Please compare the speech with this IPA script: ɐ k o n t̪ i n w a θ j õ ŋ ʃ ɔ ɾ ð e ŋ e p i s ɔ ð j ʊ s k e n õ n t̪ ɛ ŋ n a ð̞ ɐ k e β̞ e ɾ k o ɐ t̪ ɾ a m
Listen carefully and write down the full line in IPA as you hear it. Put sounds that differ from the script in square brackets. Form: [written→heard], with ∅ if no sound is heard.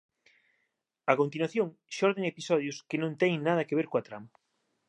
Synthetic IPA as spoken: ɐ k o n t̪ i n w a θ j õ ŋ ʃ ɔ ɾ ð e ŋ e p i s ɔ ð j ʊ s k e n õ n t̪ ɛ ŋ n a ð̞ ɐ k e β̞ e ɾ k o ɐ t̪ ɾ a m